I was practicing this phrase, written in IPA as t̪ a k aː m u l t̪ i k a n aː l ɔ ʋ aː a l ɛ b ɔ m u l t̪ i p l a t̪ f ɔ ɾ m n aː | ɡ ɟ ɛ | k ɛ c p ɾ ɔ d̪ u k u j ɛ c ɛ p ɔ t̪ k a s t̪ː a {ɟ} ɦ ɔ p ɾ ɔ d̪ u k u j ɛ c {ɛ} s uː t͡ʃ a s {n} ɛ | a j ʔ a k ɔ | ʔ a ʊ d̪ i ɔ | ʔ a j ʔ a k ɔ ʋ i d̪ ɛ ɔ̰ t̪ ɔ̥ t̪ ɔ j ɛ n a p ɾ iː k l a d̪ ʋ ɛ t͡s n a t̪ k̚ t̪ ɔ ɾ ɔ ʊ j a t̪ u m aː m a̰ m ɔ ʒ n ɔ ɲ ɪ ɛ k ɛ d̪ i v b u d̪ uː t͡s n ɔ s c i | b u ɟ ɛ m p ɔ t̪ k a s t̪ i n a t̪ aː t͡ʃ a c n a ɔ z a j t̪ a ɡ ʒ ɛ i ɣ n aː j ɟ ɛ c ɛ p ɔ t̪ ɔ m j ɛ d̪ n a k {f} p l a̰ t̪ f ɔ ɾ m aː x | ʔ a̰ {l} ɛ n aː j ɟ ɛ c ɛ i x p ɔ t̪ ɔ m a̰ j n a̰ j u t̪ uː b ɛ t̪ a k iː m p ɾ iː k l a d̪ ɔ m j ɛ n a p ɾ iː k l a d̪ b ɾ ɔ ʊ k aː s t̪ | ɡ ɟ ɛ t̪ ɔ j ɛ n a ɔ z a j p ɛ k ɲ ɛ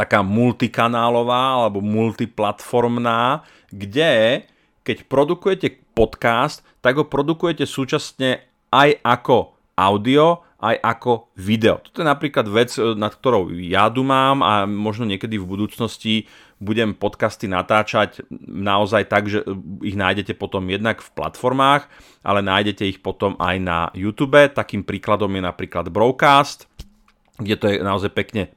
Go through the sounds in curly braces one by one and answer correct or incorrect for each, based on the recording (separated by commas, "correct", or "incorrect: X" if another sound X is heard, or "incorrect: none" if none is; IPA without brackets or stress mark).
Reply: incorrect: ɡ, correct, incorrect: ɲ, correct, correct